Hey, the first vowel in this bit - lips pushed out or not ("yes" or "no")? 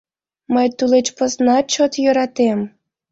no